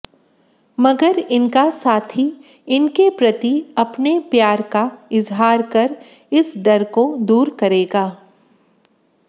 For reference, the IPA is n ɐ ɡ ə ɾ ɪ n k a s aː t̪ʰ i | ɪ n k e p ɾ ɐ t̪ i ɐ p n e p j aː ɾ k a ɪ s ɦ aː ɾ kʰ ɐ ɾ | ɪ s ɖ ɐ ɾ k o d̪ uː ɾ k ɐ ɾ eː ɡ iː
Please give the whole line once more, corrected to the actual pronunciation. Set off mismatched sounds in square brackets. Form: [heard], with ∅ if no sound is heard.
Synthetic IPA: [m] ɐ ɡ ə ɾ ɪ n k a s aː t̪ʰ i | ɪ n k e p ɾ ɐ t̪ i ɐ p n e p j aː ɾ k a ɪ [z] ɦ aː ɾ [k] ɐ ɾ | ɪ s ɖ ɐ ɾ k o d̪ uː ɾ k ɐ ɾ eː ɡ [aː]